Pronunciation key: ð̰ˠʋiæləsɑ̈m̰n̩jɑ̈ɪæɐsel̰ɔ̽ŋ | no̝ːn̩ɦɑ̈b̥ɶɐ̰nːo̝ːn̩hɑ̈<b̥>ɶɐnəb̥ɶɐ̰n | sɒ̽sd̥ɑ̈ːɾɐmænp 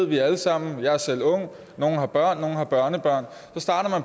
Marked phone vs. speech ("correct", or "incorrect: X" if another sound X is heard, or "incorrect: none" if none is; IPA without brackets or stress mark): correct